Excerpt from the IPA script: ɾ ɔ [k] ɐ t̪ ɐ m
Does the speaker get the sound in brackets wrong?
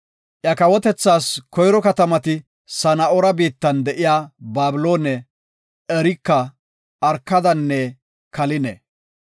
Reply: no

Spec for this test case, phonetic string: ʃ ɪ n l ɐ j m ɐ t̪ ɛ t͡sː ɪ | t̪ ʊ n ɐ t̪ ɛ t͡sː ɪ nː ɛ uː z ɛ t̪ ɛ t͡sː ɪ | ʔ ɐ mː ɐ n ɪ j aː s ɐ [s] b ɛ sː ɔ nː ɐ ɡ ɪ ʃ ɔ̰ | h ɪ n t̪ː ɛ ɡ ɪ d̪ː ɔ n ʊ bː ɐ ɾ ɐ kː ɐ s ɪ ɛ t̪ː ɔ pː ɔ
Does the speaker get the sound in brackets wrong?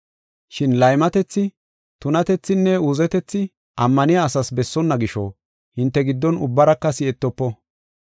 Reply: no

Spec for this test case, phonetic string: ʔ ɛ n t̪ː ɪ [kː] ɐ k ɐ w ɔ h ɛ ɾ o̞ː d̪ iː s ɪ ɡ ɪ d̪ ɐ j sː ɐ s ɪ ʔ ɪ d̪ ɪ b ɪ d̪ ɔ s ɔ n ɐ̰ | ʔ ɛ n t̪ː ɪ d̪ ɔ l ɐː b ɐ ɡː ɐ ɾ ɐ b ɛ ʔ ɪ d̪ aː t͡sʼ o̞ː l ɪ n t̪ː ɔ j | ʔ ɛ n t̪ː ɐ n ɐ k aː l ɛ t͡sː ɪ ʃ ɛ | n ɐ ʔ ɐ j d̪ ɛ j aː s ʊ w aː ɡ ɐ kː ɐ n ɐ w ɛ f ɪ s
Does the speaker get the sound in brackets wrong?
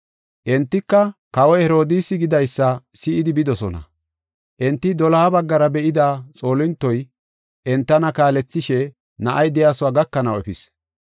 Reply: no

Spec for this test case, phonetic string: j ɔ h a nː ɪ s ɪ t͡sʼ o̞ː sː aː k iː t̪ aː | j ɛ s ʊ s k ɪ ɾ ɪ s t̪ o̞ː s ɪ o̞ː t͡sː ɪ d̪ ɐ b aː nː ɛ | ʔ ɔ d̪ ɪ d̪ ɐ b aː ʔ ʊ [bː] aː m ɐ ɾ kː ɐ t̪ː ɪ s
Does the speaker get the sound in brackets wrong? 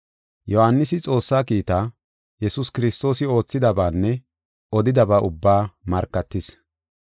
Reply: no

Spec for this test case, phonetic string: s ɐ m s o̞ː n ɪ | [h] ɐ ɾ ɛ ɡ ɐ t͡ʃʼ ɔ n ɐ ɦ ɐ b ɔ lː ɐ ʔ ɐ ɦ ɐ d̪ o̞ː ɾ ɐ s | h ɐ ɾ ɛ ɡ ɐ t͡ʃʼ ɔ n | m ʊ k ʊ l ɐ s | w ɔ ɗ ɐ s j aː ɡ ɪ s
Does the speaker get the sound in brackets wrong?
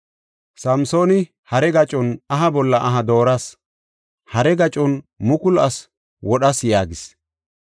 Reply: no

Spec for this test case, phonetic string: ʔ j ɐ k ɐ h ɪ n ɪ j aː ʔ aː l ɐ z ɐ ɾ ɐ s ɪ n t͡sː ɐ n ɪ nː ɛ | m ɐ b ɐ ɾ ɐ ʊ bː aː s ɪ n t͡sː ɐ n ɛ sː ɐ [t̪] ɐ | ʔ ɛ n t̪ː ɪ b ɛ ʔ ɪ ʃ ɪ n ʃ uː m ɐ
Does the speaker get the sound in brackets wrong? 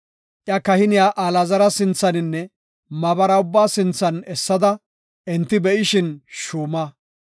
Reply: yes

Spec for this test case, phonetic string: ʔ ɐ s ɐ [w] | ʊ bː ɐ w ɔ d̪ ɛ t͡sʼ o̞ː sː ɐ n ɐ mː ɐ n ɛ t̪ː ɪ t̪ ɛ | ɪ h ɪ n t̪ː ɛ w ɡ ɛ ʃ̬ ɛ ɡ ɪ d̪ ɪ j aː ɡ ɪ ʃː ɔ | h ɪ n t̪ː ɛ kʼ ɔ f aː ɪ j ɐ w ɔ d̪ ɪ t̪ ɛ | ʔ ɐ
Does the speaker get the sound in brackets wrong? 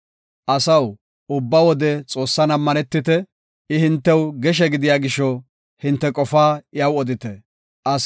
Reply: no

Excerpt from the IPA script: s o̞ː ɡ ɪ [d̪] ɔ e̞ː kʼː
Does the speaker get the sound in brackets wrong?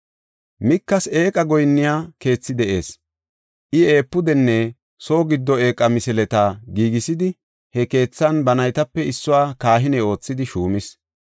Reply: yes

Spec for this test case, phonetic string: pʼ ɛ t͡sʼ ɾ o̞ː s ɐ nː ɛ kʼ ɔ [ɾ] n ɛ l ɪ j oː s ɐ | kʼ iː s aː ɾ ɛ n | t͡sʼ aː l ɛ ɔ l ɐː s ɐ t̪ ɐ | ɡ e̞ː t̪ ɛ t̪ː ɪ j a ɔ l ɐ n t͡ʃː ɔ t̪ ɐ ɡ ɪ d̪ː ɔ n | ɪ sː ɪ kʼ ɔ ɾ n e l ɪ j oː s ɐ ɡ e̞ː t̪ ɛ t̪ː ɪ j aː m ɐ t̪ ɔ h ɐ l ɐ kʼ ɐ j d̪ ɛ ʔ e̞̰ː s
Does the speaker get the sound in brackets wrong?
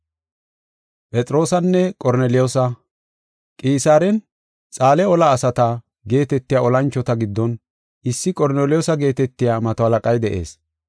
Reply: no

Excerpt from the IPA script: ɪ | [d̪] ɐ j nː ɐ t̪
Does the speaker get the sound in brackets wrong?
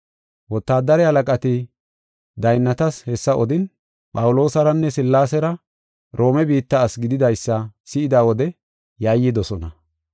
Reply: no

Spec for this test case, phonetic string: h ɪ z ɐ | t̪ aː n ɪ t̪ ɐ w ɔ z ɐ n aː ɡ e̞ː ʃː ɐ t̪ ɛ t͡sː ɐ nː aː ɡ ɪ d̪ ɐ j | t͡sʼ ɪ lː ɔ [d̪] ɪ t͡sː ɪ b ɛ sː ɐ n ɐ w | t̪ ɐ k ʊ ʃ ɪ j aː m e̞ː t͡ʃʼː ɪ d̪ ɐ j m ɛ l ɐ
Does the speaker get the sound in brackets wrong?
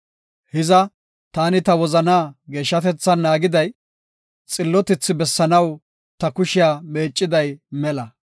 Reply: yes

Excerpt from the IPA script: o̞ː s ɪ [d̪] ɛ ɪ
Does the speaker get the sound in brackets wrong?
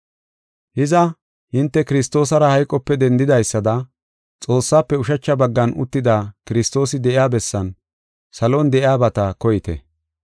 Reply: no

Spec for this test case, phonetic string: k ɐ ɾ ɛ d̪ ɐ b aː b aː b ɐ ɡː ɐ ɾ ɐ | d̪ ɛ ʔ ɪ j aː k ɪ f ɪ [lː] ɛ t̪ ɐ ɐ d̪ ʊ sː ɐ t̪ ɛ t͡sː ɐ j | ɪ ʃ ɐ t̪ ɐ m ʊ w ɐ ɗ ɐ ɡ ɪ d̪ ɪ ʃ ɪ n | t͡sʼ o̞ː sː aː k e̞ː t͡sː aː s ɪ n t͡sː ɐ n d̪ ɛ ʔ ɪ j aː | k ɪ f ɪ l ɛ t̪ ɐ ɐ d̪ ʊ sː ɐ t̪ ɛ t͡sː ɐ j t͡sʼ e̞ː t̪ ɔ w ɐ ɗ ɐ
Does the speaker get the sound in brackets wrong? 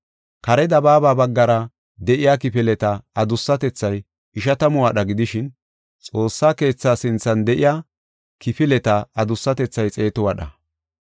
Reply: yes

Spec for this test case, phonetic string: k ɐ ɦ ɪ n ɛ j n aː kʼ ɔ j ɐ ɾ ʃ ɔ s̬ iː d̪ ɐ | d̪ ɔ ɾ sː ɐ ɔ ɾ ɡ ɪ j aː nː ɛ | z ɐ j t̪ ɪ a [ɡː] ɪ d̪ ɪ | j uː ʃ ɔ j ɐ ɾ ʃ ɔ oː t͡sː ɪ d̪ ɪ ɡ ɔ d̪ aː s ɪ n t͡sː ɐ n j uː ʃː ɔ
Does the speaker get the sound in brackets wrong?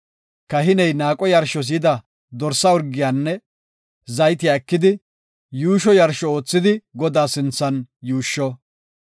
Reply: yes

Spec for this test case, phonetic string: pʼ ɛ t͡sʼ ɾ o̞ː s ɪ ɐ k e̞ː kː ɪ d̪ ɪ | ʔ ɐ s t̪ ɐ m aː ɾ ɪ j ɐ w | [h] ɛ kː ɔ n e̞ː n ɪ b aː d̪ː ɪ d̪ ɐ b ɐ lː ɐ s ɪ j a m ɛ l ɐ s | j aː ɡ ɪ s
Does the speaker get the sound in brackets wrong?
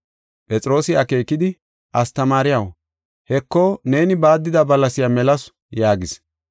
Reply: no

